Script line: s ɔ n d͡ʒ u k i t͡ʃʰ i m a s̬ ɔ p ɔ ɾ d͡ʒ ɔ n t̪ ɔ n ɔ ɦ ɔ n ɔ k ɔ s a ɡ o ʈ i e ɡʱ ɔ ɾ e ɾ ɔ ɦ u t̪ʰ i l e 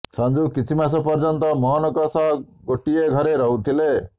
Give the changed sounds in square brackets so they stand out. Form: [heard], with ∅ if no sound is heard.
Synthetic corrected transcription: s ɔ n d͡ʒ u k i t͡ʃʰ i m a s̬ ɔ p ɔ ɾ d͡ʒ ɔ n t̪ ɔ [m] ɔ ɦ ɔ n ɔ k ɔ s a ɡ o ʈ i e ɡʱ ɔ ɾ e ɾ ɔ ɦ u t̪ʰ i l e